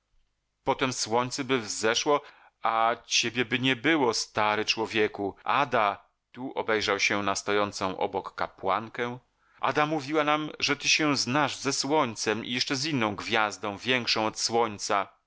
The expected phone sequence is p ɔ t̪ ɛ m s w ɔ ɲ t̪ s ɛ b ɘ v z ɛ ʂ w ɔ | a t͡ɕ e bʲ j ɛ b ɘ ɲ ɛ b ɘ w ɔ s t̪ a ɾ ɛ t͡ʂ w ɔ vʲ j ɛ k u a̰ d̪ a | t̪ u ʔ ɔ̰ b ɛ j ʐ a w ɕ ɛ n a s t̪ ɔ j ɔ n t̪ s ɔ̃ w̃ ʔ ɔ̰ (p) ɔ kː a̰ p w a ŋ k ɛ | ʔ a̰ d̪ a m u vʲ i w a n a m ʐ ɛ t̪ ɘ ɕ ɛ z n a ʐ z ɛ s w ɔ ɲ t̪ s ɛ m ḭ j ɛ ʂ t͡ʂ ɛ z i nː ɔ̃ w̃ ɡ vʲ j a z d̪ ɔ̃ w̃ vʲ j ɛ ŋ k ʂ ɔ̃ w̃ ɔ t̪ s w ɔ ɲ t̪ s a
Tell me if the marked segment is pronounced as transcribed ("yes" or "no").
no